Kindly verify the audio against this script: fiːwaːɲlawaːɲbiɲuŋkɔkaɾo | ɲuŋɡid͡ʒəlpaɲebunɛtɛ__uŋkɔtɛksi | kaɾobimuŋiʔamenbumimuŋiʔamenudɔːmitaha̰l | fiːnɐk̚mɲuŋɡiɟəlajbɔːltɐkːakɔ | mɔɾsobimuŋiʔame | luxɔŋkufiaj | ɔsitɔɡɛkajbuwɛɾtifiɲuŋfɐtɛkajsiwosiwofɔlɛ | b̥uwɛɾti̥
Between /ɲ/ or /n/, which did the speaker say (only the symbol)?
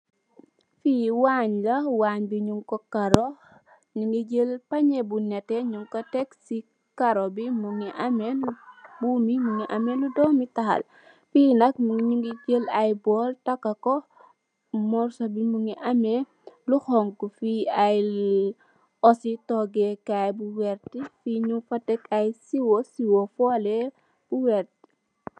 ɲ